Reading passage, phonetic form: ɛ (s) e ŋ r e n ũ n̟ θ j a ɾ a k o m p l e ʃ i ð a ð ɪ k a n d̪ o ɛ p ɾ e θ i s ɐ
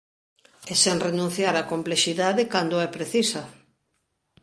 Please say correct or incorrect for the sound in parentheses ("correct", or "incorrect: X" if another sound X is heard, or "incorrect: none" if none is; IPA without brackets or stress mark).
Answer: correct